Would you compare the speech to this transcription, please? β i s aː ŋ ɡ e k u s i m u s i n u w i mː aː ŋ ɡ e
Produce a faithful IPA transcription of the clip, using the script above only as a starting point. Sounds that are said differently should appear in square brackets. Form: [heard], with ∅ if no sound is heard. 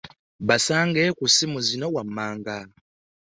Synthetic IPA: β [a] s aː ŋ ɡ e k u s i m u [z] i n [o] w [a] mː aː ŋ ɡ [a]